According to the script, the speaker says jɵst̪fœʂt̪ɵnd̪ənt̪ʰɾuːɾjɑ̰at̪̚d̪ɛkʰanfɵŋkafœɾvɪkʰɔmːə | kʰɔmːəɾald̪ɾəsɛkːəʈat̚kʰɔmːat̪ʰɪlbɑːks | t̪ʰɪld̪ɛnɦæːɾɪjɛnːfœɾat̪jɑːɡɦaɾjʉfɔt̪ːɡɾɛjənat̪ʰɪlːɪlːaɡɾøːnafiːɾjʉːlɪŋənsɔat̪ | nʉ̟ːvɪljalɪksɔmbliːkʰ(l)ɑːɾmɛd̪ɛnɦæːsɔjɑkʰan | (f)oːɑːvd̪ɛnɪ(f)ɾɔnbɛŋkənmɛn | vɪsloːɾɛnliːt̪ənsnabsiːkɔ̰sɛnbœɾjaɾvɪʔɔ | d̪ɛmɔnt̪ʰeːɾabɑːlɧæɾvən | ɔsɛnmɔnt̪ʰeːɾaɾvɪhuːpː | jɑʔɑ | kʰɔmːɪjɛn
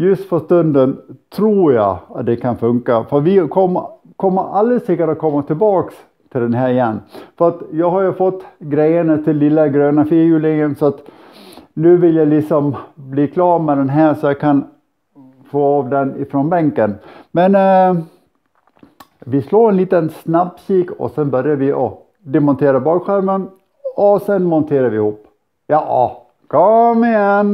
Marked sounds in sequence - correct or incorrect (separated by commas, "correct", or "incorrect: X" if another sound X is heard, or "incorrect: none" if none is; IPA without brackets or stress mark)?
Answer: correct, correct, correct